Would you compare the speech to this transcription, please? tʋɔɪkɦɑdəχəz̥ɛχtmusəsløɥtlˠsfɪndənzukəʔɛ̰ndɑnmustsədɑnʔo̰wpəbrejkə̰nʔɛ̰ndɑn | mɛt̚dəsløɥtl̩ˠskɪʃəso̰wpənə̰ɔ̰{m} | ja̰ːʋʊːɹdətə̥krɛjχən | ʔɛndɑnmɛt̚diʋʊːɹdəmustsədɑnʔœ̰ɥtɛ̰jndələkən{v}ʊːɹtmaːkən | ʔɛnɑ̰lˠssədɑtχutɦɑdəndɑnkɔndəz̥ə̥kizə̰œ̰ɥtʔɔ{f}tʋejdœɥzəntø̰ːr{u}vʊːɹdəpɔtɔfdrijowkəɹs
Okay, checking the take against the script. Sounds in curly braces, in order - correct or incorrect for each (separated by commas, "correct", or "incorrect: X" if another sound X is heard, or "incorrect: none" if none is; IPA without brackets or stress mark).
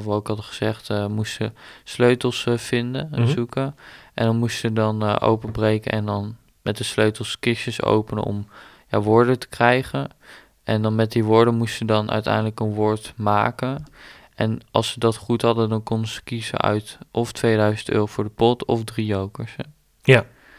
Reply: correct, incorrect: ʋ, correct, incorrect: o